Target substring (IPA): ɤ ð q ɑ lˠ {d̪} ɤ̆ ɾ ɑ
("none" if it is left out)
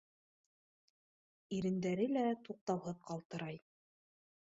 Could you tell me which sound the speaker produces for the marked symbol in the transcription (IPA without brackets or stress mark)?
t̪